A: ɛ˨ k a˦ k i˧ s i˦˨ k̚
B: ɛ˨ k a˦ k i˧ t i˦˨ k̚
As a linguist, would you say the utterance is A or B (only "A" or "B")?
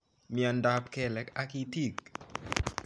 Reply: B